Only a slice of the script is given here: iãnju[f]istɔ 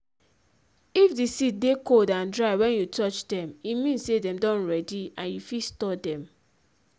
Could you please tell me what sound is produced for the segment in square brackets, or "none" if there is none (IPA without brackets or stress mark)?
f